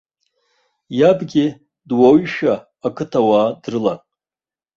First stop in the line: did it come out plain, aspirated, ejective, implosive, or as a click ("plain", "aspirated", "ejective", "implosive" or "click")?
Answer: plain